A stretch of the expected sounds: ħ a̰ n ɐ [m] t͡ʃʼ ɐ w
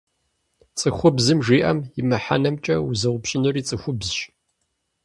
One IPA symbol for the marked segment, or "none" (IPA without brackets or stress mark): m